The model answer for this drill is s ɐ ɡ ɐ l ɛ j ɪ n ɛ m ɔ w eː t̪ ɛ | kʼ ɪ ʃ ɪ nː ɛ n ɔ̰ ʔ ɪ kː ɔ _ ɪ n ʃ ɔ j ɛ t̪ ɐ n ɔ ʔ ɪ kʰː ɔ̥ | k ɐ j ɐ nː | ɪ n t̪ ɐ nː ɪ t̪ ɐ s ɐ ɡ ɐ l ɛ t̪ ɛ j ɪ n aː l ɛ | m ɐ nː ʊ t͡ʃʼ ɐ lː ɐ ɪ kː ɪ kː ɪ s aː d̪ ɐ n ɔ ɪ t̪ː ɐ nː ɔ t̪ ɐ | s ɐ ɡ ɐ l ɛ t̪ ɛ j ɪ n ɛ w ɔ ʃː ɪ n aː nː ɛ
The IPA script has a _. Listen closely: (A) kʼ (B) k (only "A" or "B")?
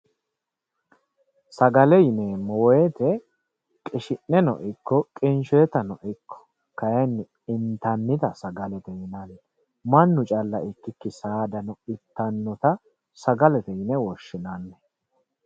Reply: A